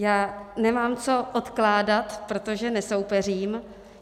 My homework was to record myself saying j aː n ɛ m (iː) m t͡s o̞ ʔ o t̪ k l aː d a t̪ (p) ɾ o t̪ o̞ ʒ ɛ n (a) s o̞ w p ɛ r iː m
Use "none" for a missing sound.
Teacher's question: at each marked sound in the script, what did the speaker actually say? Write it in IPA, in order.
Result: aː, p, ɛ

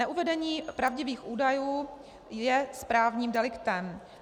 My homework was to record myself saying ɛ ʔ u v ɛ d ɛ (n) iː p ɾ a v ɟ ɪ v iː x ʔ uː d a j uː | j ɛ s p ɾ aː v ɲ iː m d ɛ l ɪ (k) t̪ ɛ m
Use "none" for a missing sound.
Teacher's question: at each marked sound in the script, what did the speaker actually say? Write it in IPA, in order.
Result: ɲ, k

